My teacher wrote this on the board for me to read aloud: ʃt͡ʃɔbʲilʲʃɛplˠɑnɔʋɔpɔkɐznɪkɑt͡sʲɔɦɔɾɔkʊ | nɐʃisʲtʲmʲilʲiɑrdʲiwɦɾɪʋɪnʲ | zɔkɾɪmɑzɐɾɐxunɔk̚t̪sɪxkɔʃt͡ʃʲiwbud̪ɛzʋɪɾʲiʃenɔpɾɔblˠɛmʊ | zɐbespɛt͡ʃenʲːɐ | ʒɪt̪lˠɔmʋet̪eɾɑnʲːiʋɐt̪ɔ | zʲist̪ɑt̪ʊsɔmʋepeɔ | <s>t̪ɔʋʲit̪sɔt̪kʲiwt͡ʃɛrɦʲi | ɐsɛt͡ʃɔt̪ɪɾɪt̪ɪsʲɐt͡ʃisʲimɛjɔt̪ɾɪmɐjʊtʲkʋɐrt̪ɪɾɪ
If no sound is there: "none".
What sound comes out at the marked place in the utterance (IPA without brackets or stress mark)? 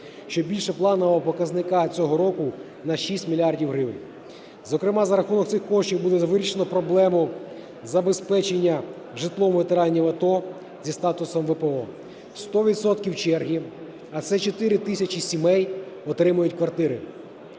s